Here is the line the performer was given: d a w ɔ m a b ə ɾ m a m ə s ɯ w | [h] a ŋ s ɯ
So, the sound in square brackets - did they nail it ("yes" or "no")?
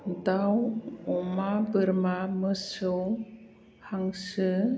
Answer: yes